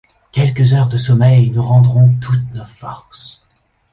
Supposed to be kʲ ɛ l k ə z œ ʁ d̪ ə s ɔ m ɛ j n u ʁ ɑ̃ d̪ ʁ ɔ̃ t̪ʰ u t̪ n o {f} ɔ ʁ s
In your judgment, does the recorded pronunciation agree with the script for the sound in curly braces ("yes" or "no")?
yes